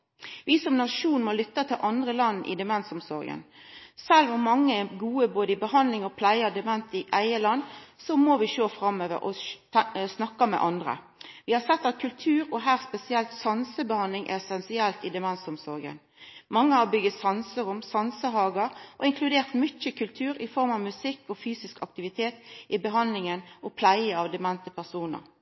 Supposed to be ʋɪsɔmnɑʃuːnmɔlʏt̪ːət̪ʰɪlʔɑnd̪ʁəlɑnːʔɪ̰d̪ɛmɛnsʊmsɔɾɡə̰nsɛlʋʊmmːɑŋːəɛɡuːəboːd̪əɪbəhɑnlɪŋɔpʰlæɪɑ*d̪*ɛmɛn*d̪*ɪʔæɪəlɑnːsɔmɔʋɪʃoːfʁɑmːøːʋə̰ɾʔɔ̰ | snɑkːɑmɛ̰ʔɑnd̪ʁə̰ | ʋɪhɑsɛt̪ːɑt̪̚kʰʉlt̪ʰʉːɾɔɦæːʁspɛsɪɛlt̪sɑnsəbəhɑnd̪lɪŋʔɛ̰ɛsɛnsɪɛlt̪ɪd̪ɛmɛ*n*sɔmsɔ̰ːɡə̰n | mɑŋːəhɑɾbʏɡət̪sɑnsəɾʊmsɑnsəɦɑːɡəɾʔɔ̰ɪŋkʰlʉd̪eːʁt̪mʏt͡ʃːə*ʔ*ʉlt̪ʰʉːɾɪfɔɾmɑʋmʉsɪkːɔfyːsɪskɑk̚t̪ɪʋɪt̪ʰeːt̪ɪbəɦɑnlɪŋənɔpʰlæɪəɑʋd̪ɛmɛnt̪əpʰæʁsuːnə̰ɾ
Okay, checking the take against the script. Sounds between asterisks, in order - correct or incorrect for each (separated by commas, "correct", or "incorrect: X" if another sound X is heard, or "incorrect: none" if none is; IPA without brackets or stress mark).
correct, incorrect: t̪, correct, incorrect: k